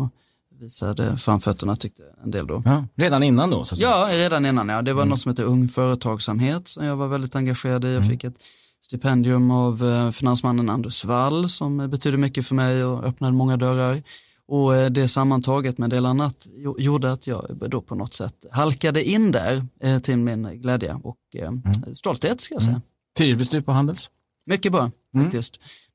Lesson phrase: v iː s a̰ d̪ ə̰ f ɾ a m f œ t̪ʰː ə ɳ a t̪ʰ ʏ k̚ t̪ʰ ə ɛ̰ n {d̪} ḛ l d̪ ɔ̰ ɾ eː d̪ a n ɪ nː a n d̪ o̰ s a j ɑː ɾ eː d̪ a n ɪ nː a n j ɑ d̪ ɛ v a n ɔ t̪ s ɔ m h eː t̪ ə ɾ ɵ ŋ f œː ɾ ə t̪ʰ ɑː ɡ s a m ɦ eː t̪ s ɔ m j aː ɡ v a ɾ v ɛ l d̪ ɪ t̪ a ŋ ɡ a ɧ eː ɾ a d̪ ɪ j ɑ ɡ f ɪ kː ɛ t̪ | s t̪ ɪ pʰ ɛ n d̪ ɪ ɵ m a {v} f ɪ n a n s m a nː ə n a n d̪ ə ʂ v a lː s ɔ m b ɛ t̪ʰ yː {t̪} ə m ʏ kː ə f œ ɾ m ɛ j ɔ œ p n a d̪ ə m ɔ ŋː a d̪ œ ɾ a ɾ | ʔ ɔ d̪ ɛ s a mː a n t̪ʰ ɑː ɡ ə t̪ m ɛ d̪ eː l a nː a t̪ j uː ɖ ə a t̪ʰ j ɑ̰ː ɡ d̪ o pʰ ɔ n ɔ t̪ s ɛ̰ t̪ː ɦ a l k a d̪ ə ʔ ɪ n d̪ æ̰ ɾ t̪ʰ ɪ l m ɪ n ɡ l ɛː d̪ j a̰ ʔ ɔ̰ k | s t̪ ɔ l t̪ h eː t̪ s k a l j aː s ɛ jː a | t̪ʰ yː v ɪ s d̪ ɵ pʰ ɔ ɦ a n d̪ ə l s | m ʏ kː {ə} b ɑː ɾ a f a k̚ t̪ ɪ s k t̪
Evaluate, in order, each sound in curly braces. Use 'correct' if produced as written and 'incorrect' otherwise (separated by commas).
correct, correct, incorrect, correct